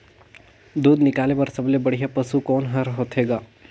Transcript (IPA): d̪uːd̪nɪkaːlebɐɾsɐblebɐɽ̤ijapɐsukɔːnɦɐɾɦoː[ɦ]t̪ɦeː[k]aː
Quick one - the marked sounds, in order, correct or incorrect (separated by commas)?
incorrect, incorrect